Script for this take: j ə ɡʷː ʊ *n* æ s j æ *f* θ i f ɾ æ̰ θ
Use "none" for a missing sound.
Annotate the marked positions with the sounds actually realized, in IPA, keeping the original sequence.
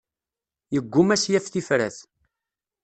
m, f

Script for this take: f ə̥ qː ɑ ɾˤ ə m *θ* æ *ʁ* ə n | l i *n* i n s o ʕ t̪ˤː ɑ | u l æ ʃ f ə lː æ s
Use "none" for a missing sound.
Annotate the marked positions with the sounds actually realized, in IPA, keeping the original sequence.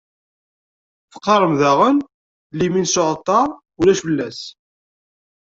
ð, ʁ, m

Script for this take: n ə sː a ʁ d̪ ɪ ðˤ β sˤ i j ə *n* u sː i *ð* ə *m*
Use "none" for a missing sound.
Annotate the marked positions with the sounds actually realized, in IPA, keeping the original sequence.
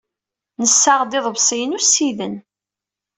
n, ð, n

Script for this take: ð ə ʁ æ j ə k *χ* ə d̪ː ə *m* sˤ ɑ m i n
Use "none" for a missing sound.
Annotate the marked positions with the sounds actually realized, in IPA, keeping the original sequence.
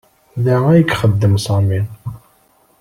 χ, m

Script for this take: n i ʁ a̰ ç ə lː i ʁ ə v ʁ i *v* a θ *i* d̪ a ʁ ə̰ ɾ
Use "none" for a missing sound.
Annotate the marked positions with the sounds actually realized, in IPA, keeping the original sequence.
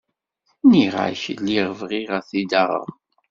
ʁ, i

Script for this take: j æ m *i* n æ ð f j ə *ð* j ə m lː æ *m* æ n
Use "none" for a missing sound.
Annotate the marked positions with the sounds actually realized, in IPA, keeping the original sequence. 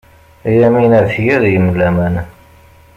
i, ð, m

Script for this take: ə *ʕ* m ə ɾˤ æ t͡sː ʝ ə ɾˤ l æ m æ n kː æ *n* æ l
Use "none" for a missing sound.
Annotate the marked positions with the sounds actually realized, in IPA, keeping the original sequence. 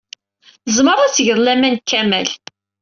z, m

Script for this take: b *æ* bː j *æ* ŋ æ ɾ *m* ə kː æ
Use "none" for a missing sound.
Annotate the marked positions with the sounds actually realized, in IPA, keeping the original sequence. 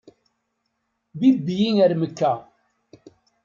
i, i, m

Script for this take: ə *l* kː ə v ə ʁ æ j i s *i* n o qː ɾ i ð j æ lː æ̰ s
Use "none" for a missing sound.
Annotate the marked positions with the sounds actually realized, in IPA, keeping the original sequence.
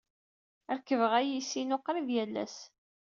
ɾ, i

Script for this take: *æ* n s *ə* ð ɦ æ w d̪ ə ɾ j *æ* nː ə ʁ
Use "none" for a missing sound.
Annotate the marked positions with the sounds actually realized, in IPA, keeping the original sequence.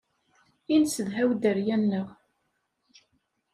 i, ə, æ

